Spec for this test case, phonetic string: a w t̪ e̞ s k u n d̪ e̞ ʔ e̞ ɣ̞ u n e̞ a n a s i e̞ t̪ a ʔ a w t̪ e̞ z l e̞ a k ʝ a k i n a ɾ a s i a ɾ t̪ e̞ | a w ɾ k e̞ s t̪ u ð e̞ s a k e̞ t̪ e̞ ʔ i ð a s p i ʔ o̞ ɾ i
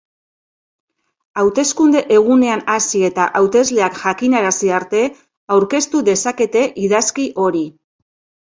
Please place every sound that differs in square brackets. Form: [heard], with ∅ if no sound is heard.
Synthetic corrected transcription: a w t̪ e̞ s k u n d̪ e̞ ʔ e̞ ɣ̞ u n e̞ a n a s i e̞ t̪ a ʔ a w t̪ e̞ z l e̞ a k ʝ a k i n a ɾ a s i a ɾ t̪ e̞ | a w ɾ k e̞ s t̪ u ð e̞ s a k e̞ t̪ e̞ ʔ i ð a s [k] i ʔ o̞ ɾ i